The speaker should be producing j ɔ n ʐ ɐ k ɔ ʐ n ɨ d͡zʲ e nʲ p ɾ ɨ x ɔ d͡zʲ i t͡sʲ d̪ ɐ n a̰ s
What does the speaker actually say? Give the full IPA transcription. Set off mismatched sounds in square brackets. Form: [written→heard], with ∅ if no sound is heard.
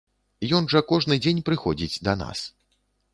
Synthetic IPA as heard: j ɔ n ʐ ɐ k ɔ ʐ n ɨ d͡zʲ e nʲ p ɾ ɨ x ɔ d͡zʲ i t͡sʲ d̪ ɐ n a̰ s